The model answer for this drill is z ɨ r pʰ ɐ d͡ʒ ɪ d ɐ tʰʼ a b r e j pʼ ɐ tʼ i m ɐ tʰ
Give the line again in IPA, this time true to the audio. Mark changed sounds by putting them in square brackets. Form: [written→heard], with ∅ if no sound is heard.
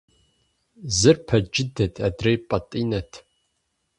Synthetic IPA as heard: z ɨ r pʰ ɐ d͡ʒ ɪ d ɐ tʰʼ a [b→d] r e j pʼ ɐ tʼ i [m→n] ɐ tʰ